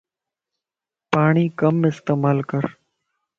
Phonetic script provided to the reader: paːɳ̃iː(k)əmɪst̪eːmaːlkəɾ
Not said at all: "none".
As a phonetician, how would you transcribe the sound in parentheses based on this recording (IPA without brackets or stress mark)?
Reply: k